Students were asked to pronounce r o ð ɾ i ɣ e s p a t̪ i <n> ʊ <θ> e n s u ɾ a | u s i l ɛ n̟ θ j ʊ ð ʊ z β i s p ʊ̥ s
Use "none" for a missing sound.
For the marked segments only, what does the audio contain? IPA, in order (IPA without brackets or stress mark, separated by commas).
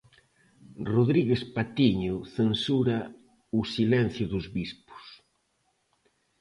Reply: ɲ, θ